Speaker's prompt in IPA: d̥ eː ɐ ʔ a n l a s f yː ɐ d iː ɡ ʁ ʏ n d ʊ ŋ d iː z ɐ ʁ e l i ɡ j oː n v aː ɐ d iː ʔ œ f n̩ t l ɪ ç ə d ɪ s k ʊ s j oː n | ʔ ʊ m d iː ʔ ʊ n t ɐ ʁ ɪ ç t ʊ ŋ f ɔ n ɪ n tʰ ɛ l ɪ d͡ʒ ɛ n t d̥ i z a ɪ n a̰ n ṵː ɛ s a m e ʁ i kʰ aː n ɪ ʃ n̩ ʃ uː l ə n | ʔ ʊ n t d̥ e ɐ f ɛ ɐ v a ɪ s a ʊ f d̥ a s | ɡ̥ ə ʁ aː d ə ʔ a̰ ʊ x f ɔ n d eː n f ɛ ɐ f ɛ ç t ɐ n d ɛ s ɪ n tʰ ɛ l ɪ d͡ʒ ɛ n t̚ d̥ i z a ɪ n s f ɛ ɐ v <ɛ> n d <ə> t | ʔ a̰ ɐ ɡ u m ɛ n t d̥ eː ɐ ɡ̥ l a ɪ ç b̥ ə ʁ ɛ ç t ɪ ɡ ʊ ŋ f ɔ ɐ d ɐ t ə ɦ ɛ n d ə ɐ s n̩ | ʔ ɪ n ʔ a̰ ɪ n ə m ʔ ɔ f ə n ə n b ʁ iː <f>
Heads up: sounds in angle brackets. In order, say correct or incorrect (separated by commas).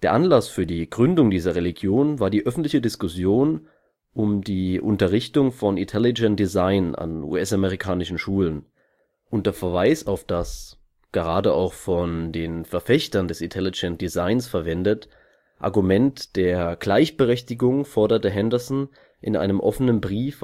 correct, correct, correct